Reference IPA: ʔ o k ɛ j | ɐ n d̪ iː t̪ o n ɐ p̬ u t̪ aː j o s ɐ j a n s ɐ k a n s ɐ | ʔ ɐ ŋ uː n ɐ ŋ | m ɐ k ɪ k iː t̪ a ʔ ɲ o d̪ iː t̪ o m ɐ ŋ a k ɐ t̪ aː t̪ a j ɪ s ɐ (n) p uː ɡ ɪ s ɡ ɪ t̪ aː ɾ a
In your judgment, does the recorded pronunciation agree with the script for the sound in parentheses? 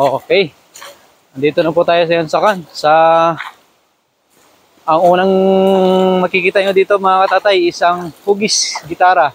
no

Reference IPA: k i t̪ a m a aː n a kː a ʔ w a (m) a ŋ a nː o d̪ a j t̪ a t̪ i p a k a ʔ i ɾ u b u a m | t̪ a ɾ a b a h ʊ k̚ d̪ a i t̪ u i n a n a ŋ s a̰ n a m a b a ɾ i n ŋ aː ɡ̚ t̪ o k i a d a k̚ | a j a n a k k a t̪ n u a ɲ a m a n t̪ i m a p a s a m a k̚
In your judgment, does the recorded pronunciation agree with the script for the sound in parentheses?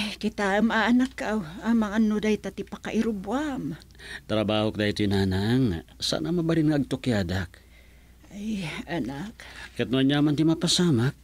yes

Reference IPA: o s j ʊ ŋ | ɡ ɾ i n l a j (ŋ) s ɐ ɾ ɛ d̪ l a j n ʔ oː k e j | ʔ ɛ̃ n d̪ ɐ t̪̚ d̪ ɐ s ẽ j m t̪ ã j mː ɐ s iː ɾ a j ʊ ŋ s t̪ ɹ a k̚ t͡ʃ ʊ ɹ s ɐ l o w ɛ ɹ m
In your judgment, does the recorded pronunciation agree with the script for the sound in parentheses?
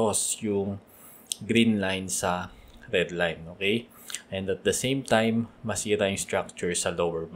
no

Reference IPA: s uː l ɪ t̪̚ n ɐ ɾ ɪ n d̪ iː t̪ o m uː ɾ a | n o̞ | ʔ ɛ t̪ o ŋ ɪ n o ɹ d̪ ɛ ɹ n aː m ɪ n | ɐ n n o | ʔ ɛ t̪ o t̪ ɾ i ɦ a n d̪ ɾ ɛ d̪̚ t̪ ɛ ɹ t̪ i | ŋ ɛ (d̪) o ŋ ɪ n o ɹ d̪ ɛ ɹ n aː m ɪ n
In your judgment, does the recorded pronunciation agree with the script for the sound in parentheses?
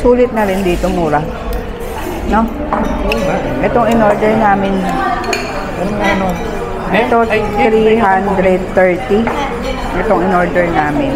no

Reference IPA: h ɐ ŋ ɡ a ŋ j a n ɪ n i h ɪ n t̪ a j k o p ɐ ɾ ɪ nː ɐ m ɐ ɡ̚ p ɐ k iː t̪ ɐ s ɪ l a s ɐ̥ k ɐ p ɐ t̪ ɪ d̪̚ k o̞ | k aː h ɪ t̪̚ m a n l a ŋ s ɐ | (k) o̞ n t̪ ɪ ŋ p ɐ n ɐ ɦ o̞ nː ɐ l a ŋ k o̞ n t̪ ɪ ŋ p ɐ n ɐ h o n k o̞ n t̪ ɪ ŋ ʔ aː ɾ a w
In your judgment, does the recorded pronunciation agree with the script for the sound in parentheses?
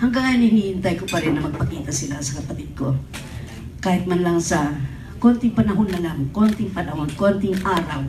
yes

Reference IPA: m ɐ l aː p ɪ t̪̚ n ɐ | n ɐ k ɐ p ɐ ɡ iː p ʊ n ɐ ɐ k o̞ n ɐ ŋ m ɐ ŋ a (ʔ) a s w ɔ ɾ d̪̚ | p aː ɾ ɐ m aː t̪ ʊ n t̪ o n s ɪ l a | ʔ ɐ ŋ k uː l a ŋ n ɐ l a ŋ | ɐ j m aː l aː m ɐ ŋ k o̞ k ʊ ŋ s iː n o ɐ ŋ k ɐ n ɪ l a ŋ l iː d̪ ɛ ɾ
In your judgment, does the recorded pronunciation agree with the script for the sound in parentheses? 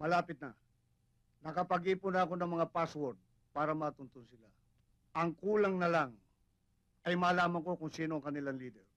no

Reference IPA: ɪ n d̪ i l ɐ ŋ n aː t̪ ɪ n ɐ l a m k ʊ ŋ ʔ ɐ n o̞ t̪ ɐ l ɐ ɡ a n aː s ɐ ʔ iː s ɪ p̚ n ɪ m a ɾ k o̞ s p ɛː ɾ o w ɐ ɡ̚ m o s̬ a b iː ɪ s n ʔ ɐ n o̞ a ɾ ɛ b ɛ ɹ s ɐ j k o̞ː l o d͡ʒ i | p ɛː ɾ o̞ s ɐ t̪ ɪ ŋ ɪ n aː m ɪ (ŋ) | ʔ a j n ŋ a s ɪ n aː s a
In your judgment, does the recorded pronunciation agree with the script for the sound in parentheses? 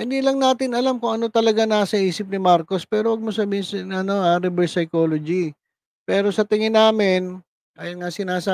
no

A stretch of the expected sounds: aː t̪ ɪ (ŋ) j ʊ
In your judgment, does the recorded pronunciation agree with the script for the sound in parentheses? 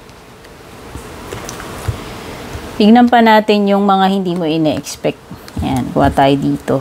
no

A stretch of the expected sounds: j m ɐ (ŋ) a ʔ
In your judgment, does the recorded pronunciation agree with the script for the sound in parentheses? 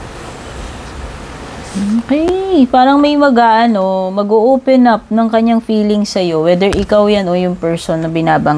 no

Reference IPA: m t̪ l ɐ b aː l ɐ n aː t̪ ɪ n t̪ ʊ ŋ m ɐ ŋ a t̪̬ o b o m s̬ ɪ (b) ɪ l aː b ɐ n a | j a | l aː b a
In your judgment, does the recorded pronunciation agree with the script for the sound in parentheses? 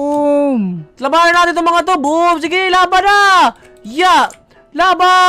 no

